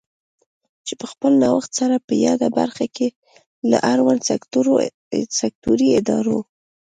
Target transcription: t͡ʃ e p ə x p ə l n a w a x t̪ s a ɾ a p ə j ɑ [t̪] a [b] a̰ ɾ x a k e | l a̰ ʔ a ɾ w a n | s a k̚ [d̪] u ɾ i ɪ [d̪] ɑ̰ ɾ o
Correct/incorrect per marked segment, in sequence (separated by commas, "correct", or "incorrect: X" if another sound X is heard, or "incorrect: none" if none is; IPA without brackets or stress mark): incorrect: d̪, correct, incorrect: t̪, correct